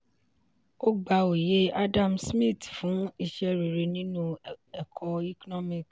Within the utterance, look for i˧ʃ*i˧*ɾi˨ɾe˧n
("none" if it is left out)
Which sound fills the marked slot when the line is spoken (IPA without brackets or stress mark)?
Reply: ɛ˧